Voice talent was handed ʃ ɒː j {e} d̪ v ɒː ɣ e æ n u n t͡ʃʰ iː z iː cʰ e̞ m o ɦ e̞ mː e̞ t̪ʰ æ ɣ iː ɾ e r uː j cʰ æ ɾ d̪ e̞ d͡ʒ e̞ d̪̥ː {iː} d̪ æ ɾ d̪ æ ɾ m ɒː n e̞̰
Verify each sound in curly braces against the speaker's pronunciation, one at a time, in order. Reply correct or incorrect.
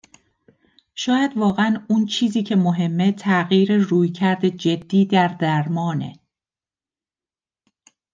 incorrect: æ, correct

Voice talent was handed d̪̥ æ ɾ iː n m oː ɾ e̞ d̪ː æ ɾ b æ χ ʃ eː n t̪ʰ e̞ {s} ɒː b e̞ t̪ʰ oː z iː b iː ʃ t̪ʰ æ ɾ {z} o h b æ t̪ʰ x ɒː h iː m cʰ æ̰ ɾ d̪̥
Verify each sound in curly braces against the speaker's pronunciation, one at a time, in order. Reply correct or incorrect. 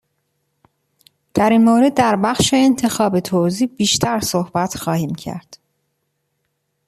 incorrect: x, incorrect: s

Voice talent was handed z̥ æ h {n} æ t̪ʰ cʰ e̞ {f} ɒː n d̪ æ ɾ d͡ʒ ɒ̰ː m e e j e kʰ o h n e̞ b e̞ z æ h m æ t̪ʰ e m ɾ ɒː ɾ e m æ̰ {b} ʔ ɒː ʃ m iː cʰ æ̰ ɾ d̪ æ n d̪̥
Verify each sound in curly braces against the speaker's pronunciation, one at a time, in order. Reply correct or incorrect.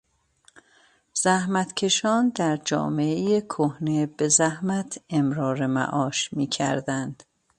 incorrect: m, incorrect: ʃ, incorrect: none

